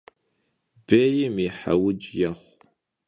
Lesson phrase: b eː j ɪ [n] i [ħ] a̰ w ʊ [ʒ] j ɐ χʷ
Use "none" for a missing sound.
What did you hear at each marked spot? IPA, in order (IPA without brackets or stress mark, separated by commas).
m, ħ, d͡ʒ